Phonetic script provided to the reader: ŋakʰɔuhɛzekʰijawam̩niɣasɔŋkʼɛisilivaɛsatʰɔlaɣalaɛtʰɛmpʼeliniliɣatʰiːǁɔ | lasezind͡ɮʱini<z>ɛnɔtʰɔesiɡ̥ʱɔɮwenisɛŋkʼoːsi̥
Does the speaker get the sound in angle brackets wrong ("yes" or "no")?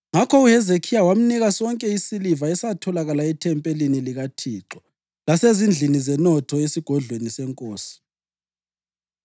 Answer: no